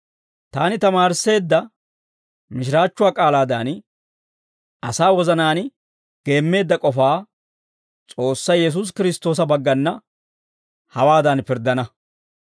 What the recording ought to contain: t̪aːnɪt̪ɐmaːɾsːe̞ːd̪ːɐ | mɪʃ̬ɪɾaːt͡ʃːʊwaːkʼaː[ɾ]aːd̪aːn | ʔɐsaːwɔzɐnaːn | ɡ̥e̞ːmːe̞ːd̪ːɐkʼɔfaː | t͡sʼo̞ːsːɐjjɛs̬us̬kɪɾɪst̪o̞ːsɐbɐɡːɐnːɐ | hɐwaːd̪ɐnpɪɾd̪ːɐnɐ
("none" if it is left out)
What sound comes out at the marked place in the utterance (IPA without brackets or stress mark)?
l